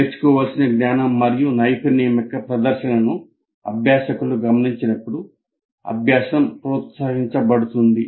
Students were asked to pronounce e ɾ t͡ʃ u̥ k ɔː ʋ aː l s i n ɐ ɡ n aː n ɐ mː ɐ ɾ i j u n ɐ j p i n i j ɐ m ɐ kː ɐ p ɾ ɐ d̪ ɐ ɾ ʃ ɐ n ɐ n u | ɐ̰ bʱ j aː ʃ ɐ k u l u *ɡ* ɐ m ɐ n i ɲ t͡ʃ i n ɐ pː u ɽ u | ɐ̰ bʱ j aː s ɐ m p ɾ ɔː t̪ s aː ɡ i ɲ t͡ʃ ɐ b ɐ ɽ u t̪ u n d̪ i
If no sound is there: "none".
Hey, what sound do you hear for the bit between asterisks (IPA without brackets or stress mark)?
ɡ